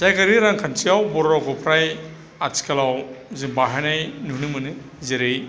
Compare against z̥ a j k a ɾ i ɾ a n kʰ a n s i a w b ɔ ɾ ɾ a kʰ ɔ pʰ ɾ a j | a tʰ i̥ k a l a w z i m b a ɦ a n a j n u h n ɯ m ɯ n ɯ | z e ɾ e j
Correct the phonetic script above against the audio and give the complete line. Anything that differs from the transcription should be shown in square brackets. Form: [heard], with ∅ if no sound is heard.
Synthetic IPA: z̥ a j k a ɾ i ɾ a [ŋ] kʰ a n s i a w b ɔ ɾ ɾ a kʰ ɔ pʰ ɾ a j | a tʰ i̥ k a l a w z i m b a ɦ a n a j n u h n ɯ m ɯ n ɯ | z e ɾ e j